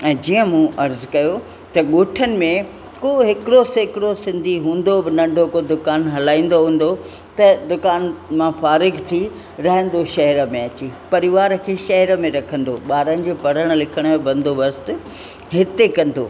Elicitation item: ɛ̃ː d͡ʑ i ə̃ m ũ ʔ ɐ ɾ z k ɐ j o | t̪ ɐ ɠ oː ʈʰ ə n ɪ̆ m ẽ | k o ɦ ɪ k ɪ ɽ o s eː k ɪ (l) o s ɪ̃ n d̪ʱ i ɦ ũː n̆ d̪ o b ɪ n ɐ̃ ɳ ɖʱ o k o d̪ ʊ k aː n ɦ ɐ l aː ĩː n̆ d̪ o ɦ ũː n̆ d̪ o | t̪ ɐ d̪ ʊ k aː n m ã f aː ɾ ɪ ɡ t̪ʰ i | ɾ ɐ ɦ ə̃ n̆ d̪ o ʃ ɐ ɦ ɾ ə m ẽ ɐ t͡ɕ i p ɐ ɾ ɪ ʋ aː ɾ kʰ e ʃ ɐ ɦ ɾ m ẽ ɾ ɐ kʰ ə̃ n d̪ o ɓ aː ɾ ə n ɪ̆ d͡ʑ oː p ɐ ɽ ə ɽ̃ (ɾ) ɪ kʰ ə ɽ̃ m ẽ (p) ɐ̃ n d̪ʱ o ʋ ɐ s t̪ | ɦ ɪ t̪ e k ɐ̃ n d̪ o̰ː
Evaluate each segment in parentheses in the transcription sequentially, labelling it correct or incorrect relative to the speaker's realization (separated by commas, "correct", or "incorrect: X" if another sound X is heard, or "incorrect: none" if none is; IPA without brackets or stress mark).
incorrect: ɽ, incorrect: l, incorrect: b